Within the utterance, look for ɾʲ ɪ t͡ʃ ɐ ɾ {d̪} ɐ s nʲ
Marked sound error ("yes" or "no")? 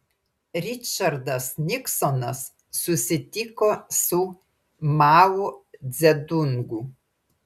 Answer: no